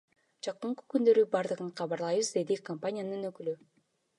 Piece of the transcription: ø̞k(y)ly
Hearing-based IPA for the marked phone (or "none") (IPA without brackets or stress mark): y